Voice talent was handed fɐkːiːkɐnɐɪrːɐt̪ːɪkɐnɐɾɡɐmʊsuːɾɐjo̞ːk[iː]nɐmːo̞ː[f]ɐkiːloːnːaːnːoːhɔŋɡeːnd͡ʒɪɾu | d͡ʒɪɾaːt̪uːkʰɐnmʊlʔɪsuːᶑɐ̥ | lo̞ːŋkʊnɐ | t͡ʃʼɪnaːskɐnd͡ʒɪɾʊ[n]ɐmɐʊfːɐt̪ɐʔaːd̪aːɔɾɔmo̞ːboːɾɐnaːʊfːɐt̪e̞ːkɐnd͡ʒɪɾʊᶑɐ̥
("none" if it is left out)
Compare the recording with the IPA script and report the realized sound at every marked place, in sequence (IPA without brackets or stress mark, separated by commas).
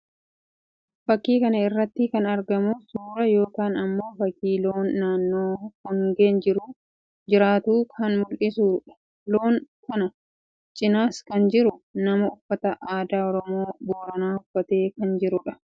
aː, f, n